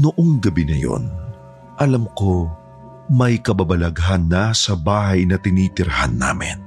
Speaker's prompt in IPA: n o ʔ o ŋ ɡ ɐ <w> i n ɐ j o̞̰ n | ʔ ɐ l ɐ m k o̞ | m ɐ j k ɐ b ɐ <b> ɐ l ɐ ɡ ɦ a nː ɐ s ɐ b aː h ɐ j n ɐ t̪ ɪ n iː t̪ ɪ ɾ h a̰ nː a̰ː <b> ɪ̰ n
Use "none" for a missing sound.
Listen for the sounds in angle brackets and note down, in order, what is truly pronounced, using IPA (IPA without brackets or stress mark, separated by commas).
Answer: b, b, m